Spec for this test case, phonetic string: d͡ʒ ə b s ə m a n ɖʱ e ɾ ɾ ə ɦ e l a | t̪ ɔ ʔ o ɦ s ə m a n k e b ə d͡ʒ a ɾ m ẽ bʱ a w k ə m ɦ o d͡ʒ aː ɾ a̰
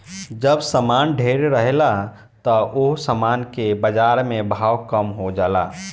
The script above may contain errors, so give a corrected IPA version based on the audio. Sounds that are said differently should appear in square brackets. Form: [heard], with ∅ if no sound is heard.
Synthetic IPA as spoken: d͡ʒ ə b s ə m a n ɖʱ e ɾ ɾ ə ɦ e l a | t̪ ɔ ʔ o ɦ s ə m a n k e b ə d͡ʒ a ɾ m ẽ bʱ a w k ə m ɦ o d͡ʒ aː [l] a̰